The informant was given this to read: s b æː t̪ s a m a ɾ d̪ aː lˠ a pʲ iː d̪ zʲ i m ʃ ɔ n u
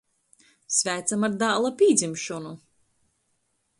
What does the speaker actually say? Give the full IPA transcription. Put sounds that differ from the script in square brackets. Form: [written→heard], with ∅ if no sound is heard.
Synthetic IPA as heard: s [b→v] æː t̪ s a m a ɾ d̪ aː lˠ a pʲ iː d̪ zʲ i m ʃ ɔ n u